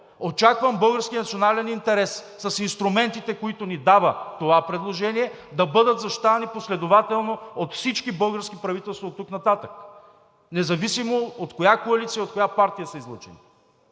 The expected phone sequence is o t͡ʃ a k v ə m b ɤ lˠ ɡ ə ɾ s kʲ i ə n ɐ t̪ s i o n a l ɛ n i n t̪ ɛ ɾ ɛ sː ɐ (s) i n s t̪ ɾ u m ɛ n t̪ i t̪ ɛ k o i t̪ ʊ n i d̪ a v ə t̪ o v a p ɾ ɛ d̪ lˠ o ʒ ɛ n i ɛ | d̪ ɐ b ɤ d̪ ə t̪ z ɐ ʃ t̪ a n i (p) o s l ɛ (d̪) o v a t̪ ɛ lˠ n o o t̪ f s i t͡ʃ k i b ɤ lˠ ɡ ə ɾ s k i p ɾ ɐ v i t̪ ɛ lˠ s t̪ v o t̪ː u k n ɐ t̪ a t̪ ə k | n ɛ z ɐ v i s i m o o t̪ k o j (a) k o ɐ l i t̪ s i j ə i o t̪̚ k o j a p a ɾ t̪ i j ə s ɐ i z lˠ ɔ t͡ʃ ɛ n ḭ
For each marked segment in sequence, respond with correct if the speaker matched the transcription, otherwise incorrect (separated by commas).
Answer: correct, correct, correct, correct